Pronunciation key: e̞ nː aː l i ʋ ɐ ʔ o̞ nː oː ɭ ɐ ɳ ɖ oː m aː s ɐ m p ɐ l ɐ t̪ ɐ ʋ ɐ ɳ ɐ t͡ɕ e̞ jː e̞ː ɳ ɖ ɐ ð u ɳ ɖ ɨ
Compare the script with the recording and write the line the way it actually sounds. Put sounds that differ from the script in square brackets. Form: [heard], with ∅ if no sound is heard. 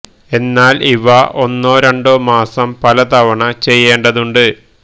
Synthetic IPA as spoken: e̞ nː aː l i ʋ ɐ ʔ o̞ nː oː [ɾ] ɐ ɳ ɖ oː m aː s ɐ m p ɐ l ɐ t̪ ɐ ʋ ɐ ɳ ɐ t͡ɕ e̞ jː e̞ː ɳ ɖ ɐ ð u ɳ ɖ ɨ